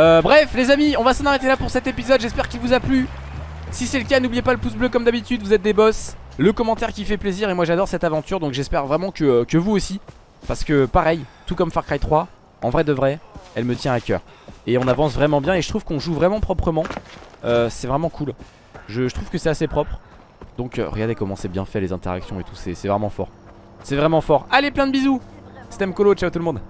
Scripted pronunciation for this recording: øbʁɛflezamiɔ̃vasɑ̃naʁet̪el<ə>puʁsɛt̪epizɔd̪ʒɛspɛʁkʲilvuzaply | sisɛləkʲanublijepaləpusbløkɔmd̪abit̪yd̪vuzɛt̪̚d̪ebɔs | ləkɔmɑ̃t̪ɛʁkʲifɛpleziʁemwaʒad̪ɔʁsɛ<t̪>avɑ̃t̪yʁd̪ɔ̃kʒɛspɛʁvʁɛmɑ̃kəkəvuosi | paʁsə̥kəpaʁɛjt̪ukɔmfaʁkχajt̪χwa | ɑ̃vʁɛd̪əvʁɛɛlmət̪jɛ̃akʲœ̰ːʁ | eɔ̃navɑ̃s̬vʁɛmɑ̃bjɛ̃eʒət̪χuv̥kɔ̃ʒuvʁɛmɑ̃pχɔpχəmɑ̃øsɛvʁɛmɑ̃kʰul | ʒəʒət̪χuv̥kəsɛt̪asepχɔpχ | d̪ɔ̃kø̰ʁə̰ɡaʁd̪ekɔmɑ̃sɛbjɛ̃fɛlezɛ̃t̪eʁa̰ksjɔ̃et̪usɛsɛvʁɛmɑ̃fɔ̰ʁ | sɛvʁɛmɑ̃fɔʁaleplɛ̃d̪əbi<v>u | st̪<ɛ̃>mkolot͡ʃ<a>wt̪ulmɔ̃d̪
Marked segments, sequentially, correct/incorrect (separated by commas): incorrect, correct, incorrect, incorrect, correct